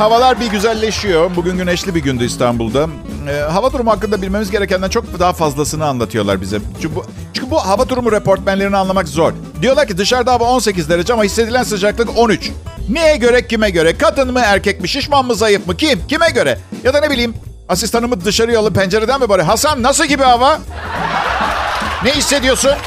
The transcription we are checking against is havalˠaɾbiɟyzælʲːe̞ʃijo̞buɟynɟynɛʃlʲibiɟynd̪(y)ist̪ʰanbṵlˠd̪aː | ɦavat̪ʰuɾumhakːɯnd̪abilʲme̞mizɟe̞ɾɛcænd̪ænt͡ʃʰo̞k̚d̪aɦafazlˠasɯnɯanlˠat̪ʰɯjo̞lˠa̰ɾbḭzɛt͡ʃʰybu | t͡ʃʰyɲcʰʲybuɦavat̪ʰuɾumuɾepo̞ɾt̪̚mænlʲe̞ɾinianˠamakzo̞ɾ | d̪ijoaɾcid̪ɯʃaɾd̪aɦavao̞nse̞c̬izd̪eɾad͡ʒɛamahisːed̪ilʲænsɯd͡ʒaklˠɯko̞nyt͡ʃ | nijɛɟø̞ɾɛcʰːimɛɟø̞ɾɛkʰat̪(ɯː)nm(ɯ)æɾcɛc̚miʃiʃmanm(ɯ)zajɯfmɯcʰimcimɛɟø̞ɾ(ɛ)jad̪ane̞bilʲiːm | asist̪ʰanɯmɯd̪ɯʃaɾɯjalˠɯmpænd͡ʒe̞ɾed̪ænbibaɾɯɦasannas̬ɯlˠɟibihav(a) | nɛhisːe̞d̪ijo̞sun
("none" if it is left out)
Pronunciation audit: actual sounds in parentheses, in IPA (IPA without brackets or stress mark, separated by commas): y, ɯ, ɯ, ɯ, ɛ, a